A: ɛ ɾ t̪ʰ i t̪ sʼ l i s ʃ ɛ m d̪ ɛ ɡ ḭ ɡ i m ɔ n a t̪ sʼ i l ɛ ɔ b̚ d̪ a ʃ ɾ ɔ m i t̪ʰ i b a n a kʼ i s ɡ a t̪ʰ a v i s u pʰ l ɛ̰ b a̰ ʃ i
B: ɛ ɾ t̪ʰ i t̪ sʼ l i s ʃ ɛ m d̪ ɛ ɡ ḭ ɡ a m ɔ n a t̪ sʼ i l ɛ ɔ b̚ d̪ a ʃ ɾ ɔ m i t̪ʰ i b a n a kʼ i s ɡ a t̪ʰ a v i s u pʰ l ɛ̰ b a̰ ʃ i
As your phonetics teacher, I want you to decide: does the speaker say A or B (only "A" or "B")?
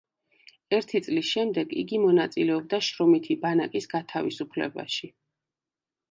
A